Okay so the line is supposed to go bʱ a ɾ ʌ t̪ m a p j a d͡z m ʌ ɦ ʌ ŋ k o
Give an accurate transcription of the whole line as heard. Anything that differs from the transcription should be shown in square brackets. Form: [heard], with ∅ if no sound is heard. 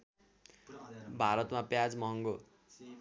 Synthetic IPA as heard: bʱ a ɾ ʌ t̪ m a p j a d͡z m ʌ ɦ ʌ ŋ [ɡ] o